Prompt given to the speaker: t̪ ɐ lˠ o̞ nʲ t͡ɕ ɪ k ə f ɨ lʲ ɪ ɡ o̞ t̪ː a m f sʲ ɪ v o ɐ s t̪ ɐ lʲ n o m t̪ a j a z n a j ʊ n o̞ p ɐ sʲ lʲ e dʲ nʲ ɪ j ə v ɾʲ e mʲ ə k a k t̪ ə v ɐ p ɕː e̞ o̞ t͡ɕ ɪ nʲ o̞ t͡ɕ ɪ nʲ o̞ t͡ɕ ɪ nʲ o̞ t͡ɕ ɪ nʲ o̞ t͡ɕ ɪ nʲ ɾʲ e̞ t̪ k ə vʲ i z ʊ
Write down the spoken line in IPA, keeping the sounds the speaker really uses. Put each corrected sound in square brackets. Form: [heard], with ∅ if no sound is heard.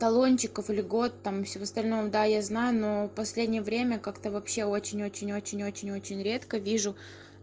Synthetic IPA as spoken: t̪ ɐ lˠ o̞ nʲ t͡ɕ ɪ k ə f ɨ lʲ ɪ ɡ o̞ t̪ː a m f sʲ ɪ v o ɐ s t̪ ɐ lʲ n o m [d̪] a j a z n a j ʊ n o̞ p ɐ sʲ lʲ e dʲ nʲ ɪ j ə v ɾʲ e mʲ ə k a k t̪ ə v ɐ p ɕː e̞ o̞ t͡ɕ ɪ nʲ o̞ t͡ɕ ɪ nʲ o̞ t͡ɕ ɪ nʲ o̞ t͡ɕ ɪ nʲ o̞ t͡ɕ ɪ nʲ ɾʲ e̞ t̪ k ə vʲ i [ʐ] ʊ